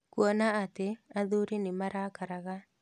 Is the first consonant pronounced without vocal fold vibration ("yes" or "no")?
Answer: yes